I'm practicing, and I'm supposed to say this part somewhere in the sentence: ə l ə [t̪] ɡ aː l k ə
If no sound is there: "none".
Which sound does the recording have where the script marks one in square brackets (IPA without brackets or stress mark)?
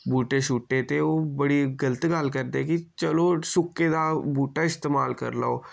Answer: t̪